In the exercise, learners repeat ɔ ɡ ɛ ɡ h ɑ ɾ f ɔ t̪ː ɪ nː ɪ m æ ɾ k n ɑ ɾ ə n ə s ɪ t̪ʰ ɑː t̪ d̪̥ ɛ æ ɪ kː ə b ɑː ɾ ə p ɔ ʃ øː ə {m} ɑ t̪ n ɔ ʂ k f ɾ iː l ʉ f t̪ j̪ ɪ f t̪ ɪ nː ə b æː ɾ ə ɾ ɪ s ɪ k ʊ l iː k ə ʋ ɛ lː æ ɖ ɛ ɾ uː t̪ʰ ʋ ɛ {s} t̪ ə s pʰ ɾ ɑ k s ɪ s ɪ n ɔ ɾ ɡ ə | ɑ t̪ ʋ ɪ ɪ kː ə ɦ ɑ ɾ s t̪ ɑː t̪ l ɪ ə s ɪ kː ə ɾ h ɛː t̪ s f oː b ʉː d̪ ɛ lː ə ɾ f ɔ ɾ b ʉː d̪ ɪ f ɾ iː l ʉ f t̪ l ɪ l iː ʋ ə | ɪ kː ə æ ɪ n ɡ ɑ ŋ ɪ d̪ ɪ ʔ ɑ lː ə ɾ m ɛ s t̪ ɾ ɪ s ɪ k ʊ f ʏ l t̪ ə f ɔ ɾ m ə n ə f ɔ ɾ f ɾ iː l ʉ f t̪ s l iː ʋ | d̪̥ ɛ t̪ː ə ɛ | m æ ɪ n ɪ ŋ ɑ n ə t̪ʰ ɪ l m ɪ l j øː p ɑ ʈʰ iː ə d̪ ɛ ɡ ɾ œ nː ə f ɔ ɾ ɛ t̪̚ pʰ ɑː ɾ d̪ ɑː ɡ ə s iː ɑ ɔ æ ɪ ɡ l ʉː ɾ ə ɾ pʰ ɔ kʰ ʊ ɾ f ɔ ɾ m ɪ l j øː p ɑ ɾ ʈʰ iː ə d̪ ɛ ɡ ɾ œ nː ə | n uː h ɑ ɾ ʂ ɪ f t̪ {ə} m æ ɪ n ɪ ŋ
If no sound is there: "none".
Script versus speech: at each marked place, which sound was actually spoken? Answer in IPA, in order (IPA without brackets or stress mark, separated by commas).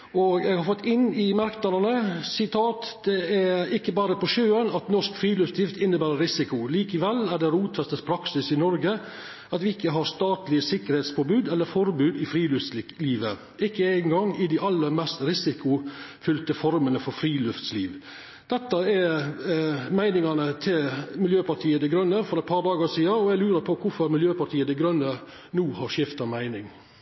n, s, ɑ